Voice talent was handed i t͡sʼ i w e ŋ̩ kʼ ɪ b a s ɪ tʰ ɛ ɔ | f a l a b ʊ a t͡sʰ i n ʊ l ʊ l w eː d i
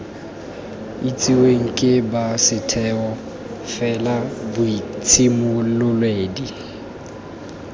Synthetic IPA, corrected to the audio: i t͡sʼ i w e ŋ̩ kʼ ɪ b a s ɪ tʰ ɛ ɔ | f ɛ l a b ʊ i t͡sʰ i m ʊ l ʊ l w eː d i